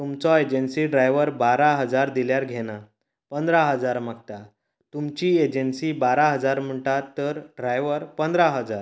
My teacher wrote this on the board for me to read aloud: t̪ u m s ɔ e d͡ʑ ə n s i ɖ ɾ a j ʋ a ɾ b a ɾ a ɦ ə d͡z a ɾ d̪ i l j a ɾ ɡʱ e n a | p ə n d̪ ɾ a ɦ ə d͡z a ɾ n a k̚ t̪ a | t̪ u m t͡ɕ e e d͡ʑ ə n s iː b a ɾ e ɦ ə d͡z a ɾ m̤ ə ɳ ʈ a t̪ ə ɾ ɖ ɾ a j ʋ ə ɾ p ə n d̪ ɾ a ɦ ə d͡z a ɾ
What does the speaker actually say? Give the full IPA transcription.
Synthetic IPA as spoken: t̪ u m t͡s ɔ e d͡ʑ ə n s i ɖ ɾ a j ʋ ə ɾ b a ɾ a ɦ ə d͡z a ɾ d̪ i l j a ɾ ɡʱ e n a | p ə n d̪ ɾ a ɦ ə d͡z a ɾ m a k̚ t̪ a | t̪ u m t͡ɕ i e d͡ʑ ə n s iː b a ɾ a ɦ ə d͡z a ɾ m̤ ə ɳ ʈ a t̪ ə ɾ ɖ ɾ a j ʋ ə ɾ p ə n d̪ ɾ a ɦ ə d͡z a ɾ